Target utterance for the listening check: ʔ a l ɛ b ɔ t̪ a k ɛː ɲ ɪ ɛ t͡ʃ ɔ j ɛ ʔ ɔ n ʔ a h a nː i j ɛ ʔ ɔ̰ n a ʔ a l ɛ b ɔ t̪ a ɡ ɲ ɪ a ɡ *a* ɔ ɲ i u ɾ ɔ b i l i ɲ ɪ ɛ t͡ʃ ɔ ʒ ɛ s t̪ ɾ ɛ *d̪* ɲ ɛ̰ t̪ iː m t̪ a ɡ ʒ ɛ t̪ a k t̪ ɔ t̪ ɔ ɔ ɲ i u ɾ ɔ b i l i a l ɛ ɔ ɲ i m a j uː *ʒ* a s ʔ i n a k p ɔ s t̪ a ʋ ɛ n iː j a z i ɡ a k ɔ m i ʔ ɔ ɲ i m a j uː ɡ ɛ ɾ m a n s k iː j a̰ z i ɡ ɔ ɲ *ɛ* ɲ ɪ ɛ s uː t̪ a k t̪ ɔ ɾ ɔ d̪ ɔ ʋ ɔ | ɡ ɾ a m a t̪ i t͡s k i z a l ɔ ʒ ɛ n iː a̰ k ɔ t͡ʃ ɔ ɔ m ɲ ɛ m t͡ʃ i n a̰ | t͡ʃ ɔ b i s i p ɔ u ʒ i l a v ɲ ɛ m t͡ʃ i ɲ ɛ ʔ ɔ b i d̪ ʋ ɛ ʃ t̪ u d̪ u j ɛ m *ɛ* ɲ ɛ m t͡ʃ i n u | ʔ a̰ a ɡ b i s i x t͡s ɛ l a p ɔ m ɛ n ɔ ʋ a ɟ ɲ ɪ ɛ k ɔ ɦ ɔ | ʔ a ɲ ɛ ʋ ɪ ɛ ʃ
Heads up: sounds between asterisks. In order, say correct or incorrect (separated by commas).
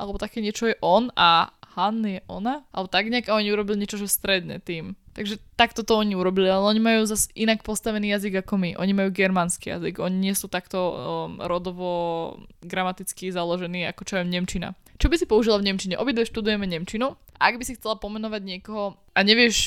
correct, correct, incorrect, incorrect, correct